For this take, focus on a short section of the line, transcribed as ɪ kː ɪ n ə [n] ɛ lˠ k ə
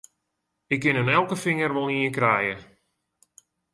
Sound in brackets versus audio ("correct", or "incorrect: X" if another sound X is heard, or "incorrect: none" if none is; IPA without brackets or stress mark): correct